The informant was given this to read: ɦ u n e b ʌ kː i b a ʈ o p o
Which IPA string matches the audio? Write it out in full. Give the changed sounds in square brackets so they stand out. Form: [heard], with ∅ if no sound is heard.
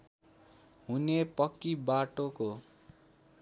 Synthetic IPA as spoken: ɦ u n e [p] ʌ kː i b a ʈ o [k] o